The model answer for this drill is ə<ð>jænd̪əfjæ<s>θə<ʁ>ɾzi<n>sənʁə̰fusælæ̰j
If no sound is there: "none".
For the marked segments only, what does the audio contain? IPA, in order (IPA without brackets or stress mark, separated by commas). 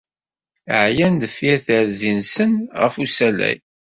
ʕ, none, none, n